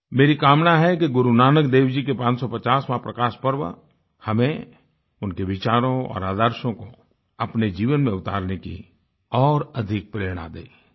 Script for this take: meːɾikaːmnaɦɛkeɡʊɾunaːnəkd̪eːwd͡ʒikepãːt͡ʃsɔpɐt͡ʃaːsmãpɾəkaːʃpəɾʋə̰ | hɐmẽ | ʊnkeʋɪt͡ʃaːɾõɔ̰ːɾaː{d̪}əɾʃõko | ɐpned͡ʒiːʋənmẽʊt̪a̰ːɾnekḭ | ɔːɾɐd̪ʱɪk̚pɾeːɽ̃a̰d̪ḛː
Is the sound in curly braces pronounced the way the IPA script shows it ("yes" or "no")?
yes